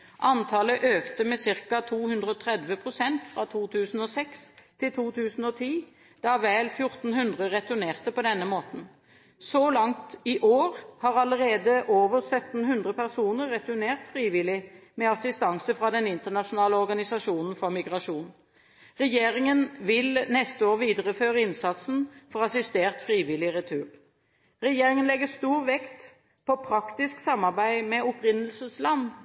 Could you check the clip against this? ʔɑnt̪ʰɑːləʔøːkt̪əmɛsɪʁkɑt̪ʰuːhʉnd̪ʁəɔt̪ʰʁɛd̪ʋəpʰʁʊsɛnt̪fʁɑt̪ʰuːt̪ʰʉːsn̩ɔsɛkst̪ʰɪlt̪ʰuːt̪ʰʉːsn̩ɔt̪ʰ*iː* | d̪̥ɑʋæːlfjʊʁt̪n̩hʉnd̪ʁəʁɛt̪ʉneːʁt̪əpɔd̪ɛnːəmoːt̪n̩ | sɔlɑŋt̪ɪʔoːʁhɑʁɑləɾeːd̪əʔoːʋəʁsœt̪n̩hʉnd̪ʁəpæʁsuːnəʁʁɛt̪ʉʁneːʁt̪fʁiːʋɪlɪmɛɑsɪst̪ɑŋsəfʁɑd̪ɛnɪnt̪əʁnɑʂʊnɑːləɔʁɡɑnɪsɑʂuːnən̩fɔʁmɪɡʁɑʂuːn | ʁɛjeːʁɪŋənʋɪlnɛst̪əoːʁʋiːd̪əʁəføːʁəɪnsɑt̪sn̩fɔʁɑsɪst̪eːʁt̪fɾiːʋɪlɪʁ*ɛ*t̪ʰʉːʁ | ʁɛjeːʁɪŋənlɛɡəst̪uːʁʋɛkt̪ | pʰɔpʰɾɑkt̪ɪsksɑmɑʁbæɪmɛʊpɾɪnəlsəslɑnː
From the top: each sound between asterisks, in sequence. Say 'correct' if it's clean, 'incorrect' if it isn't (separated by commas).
correct, correct